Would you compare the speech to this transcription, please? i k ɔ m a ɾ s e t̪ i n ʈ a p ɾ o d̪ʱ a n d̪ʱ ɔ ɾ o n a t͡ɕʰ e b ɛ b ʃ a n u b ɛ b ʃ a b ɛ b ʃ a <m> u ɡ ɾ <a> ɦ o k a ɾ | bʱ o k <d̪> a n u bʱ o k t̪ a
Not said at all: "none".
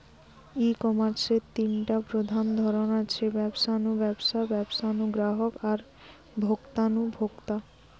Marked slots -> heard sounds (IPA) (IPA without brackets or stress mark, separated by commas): n, a, t̪